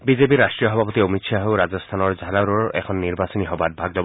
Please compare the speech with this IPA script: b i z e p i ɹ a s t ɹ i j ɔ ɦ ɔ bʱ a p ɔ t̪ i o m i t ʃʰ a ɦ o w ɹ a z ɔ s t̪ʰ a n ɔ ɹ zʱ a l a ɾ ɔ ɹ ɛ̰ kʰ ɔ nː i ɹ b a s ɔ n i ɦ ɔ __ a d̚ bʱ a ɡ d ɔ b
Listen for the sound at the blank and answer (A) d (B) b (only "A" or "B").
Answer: B